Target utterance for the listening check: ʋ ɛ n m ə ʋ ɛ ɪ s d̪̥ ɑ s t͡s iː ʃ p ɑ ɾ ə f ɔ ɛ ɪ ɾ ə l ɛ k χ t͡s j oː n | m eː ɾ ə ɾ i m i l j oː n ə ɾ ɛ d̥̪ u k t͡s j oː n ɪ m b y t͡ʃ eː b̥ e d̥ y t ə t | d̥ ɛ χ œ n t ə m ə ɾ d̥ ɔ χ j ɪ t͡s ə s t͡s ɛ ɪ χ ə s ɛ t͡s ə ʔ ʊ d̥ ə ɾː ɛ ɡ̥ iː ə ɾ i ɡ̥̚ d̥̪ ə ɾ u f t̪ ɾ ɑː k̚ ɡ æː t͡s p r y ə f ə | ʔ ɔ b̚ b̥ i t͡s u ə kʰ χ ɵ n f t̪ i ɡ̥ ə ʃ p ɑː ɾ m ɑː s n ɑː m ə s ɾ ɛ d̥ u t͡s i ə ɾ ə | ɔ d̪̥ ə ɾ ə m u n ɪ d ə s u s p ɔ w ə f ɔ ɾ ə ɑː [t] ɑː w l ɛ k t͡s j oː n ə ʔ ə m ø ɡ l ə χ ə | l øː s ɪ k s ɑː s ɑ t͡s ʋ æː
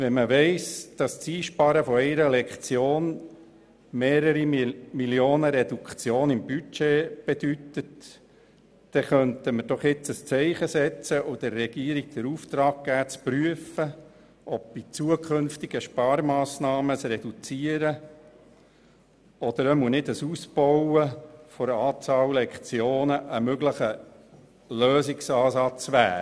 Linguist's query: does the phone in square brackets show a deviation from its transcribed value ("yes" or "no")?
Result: yes